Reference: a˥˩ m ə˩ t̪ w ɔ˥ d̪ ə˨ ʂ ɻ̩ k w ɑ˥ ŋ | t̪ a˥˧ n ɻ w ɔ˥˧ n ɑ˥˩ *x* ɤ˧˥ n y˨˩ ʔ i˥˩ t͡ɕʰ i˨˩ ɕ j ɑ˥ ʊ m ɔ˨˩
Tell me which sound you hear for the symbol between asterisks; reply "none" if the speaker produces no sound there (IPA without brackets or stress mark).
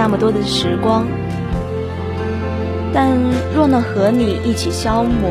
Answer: x